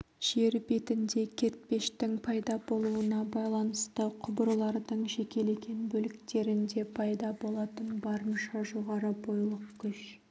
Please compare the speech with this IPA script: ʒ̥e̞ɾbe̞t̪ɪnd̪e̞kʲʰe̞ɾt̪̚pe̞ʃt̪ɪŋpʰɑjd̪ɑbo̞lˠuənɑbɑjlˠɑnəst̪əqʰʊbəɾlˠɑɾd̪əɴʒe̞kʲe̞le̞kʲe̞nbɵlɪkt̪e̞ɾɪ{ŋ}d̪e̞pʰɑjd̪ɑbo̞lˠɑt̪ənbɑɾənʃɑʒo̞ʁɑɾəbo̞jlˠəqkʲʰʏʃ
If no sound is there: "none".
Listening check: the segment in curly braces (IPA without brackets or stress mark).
n